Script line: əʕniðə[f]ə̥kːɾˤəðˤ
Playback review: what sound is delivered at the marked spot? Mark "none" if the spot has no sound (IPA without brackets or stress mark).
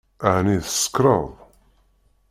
s